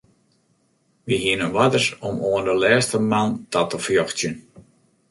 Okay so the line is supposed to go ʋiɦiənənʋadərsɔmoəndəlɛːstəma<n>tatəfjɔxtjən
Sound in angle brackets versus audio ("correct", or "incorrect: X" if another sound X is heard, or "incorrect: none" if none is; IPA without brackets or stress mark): correct